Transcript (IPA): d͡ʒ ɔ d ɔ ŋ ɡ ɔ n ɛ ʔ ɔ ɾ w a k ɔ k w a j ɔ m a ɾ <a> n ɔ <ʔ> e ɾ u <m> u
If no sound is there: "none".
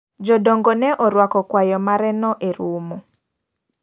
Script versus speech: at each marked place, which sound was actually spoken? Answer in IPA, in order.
ɛ, ʔ, m

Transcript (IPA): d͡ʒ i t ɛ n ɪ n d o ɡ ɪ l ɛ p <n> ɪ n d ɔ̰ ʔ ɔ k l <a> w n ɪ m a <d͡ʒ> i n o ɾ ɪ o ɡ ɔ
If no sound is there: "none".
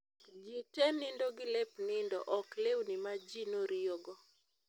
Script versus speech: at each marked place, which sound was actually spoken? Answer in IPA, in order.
n, e, d͡ʒ

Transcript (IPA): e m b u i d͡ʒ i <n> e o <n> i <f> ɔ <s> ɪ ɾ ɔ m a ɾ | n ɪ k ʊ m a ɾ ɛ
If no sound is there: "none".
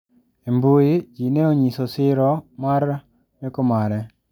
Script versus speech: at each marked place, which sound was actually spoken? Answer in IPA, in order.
n, ɲ, s, s

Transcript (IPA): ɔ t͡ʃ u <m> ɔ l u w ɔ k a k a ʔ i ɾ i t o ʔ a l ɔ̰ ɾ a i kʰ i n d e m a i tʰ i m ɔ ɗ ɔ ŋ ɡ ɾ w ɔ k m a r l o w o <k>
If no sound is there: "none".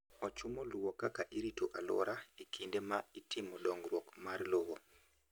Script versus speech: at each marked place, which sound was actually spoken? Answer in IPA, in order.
m, none

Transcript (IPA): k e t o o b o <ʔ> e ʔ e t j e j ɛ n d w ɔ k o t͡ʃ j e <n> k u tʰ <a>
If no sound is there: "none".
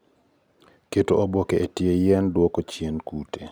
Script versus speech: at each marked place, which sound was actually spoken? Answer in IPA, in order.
k, n, e

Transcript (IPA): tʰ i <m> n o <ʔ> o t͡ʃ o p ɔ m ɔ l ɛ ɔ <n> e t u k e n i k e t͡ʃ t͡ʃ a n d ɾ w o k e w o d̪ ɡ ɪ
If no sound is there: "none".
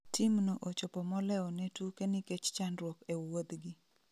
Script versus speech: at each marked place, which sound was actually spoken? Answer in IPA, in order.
m, ʔ, n

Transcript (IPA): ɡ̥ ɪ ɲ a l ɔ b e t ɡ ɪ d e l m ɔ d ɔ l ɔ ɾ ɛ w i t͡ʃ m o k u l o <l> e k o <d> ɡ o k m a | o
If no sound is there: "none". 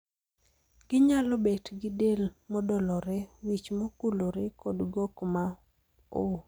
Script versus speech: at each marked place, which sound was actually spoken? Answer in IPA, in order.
ɾ, d

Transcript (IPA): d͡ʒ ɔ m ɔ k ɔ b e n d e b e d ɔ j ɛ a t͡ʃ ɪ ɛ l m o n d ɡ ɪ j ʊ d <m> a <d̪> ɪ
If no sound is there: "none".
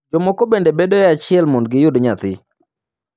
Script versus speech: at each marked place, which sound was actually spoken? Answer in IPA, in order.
ɲ, t̪

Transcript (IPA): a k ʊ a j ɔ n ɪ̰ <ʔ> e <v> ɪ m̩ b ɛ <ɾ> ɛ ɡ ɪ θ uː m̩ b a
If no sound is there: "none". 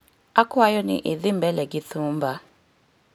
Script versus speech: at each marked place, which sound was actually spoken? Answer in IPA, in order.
ʔ, ð, l

